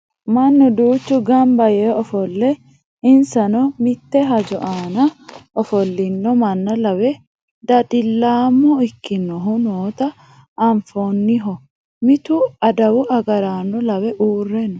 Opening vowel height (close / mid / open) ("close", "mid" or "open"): open